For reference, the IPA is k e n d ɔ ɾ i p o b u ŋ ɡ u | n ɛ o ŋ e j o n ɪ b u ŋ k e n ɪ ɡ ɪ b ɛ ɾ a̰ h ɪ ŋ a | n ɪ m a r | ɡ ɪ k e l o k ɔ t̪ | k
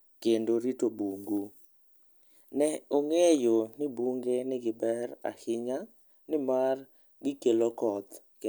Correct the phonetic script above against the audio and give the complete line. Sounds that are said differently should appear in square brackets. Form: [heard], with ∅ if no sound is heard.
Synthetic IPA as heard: k e n d [o] ɾ i [t] o b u ŋ ɡ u | n ɛ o ŋ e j o n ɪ b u ŋ [ɡ] e n ɪ ɡ ɪ b ɛ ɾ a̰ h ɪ [ɲ] a | n ɪ m a r | ɡ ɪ k e l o k ɔ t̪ | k

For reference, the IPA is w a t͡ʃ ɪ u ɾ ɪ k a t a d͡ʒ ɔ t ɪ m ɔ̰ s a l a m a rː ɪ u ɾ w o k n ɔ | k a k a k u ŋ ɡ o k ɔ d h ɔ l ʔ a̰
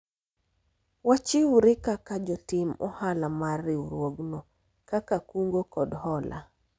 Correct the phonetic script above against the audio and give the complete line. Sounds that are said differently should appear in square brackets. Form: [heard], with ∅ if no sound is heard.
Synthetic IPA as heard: w a t͡ʃ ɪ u ɾ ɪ k a [k] a d͡ʒ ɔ t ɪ m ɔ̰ [h] a l a m a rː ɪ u ɾ w o [ɡ] n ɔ | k a k a k u ŋ ɡ o k ɔ d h ɔ l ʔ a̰

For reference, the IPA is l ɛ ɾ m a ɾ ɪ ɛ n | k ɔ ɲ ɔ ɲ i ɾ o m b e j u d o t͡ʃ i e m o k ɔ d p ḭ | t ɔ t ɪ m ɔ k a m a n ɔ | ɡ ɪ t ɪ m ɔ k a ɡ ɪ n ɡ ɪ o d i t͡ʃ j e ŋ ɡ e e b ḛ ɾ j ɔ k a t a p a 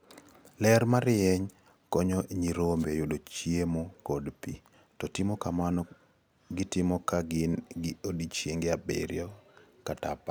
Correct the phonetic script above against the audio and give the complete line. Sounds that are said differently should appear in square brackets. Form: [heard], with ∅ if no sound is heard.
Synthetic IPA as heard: l ɛ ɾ m a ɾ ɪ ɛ [ɲ] | k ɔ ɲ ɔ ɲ i ɾ o m b e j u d o t͡ʃ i e m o k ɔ d p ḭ | t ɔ t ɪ m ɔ k a m a n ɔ | ɡ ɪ t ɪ m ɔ k a ɡ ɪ n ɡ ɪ o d i t͡ʃ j e ŋ ɡ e [a] b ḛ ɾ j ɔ k a t a p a

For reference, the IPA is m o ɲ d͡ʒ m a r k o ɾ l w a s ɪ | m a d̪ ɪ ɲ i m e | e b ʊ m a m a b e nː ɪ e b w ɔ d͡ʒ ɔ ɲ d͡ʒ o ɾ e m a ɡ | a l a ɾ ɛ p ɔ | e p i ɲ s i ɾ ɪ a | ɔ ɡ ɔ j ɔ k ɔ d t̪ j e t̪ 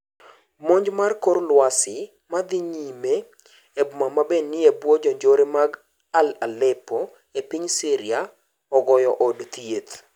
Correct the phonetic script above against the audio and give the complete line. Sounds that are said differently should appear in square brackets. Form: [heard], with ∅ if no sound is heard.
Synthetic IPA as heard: m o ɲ d͡ʒ m a r k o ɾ l w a s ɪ | m a d̪ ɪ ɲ i m e | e b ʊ m a m a b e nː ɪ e b w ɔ d͡ʒ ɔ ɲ d͡ʒ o ɾ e m a ɡ | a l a [l] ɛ p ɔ | e p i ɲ s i ɾ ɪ a | ɔ ɡ ɔ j ɔ [ʔ] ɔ d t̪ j e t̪

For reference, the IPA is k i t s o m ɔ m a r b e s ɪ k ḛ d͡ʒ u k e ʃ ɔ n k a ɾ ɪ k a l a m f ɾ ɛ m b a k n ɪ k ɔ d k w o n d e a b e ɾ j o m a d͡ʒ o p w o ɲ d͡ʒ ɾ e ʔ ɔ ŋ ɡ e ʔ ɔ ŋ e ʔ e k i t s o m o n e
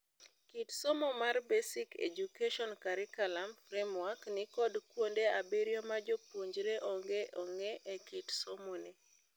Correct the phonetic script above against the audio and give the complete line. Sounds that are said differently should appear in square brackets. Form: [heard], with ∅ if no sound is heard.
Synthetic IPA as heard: k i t s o m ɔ m a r b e s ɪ k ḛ d͡ʒ u k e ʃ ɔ n k a ɾ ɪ k a l a m f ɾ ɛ m [w] a k n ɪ k ɔ d k w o n d e a b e ɾ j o m a d͡ʒ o p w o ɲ d͡ʒ ɾ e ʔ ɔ ŋ ɡ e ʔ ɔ ŋ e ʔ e k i t s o m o n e

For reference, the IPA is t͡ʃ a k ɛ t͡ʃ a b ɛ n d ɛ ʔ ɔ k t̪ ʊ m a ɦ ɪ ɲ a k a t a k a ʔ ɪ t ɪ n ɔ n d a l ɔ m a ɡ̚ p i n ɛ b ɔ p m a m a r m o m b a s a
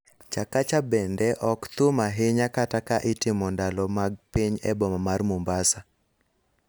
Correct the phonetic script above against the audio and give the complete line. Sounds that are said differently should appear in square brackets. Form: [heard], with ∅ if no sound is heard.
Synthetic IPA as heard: t͡ʃ a k [a] t͡ʃ a b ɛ n d ɛ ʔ ɔ k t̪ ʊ m a ɦ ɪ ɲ a k a t a k a ʔ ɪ t ɪ [m] ɔ n d a l ɔ m a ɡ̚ p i [ɲ] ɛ b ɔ [∅] m a m a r m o m b a s a

